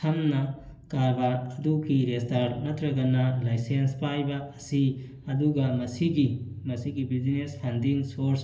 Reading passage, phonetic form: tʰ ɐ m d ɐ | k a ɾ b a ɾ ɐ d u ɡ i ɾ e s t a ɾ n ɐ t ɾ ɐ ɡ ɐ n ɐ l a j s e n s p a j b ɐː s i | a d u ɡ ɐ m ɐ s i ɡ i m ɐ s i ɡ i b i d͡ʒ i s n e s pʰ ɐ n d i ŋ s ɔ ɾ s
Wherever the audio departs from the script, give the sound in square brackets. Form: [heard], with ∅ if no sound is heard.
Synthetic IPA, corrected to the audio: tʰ ɐ m [n] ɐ | k a ɾ b a ɾ ɐ d u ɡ i ɾ e s t a ɾ n ɐ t ɾ ɐ ɡ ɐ n ɐ l a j s e n s p a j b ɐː s i | [ɐ] d u ɡ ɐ m ɐ s i ɡ i m ɐ s i ɡ i b i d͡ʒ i [∅] n e s pʰ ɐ n d i ŋ s [o] ɾ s